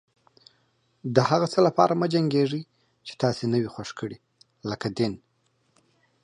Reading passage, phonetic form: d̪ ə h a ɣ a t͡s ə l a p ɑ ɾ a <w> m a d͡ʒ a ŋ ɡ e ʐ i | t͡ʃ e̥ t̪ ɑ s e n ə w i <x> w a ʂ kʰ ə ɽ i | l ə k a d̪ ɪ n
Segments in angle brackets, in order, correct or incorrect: incorrect, correct

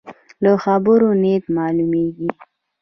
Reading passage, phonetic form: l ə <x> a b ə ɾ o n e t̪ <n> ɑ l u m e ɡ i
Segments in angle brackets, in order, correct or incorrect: correct, incorrect

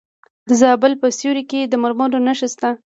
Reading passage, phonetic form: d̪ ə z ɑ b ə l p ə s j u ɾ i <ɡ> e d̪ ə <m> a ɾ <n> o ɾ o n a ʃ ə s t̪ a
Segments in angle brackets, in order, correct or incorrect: incorrect, correct, incorrect

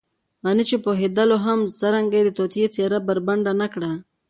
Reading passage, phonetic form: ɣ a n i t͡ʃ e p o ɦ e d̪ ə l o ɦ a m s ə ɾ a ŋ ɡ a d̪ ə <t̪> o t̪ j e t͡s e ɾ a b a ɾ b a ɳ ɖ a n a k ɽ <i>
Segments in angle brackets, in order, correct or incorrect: correct, incorrect

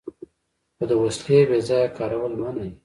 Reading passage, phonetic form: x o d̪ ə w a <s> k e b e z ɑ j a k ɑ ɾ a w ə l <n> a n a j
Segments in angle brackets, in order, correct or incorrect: correct, incorrect

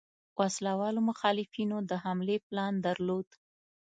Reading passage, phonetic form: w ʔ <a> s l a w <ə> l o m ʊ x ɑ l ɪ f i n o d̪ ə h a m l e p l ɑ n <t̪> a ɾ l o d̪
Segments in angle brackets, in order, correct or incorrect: correct, incorrect, incorrect

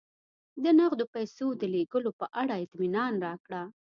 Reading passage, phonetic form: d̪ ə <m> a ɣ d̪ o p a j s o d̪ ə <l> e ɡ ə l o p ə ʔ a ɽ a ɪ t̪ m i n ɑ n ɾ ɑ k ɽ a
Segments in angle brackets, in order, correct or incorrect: incorrect, correct

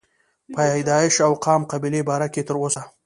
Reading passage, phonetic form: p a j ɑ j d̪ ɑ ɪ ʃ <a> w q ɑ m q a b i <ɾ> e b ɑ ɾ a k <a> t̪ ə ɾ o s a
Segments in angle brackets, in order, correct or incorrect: correct, incorrect, incorrect

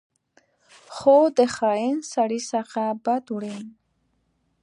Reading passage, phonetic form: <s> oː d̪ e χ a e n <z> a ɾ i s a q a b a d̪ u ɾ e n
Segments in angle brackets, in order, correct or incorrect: incorrect, incorrect

